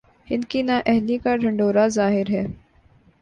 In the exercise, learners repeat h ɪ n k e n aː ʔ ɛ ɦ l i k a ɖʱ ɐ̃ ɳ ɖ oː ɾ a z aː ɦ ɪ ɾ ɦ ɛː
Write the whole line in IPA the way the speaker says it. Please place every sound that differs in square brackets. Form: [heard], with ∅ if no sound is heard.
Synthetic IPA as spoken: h ɪ n k [i] n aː ʔ ɛ ɦ l i k a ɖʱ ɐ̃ ɳ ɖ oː ɾ a z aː ɦ ɪ ɾ ɦ ɛː